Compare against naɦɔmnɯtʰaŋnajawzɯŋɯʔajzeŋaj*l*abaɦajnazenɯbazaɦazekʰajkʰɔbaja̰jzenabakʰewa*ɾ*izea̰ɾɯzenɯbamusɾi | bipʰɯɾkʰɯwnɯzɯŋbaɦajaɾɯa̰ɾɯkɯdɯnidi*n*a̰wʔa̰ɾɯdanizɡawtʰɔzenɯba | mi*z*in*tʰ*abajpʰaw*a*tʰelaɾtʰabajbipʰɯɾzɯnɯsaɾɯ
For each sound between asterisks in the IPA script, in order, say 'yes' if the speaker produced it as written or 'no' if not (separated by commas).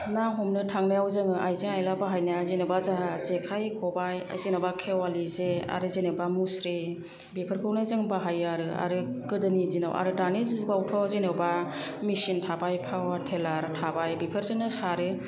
yes, no, yes, no, yes, yes